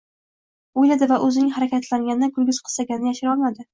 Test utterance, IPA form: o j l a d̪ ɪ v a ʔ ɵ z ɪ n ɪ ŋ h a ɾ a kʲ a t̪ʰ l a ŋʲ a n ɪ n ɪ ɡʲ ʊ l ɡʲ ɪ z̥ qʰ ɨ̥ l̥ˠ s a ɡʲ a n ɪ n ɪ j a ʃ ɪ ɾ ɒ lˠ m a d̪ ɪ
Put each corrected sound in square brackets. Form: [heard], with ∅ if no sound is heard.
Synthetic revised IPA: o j l a d̪ ɪ v a ʔ ɵ z ɪ n ɪ ŋ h a ɾ a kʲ a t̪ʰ l a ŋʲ a n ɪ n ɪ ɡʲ ʊ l ɡʲ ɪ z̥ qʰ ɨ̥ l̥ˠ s a ɡʲ a n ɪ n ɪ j a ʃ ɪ ɾ ɒ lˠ m a d̪ ɪ